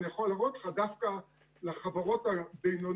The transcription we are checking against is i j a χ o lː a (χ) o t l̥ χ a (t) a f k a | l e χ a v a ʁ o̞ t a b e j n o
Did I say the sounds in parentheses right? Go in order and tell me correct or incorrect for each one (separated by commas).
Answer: incorrect, incorrect